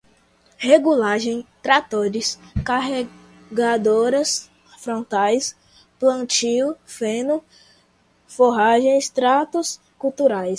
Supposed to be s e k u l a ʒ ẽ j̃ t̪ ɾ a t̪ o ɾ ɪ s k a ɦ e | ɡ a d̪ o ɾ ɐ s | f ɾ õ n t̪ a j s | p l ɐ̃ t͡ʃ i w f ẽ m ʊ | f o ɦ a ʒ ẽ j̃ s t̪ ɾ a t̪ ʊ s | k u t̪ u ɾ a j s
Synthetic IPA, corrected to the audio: h e ɡ u l a ʒ ẽ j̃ t̪ ɾ a t̪ o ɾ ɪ s k a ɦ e | ɡ a d̪ o ɾ ɐ s | f ɾ õ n t̪ a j s | p l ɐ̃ t͡ʃ i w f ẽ n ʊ | f o ɦ a ʒ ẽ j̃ s t̪ ɾ a t̪ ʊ s | k u t̪ u ɾ a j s